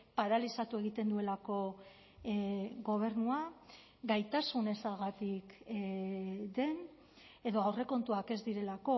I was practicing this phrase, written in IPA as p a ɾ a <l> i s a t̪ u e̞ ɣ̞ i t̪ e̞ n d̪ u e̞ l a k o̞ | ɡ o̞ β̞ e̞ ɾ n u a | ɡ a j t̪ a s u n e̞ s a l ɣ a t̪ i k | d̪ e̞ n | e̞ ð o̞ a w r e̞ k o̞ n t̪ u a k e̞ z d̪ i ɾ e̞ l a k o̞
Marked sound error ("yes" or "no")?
no